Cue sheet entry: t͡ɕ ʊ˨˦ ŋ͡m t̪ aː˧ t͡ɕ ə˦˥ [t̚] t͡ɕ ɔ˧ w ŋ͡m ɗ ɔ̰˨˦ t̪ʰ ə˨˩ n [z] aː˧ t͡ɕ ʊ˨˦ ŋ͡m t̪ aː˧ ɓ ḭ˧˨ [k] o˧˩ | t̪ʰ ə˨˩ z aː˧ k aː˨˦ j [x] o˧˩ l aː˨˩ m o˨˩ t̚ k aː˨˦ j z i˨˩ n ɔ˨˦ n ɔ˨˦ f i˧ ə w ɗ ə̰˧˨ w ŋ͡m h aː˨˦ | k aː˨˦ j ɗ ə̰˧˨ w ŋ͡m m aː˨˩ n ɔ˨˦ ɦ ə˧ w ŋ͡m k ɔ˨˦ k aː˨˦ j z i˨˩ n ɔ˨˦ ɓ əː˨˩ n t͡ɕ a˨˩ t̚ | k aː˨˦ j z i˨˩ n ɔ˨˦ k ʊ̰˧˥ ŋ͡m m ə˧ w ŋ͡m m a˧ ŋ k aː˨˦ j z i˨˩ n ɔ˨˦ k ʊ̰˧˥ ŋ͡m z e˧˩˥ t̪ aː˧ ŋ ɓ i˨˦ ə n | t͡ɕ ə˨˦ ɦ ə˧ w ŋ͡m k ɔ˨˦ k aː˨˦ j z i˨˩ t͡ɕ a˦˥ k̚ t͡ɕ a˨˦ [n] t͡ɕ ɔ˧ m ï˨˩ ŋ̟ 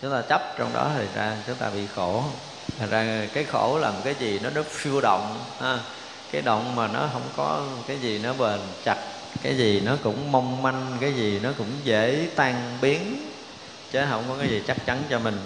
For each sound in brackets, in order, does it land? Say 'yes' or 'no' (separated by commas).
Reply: no, yes, no, yes, yes